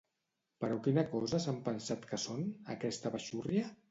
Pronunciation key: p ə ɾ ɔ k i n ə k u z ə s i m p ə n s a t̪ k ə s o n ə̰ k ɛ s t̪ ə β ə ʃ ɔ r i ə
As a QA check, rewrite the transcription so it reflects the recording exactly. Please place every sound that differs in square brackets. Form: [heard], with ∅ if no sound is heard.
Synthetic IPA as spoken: p ə ɾ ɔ k i n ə k [ɔ] z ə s [a] m p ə n s a t̪ k ə s o n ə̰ k ɛ s t̪ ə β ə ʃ [u] r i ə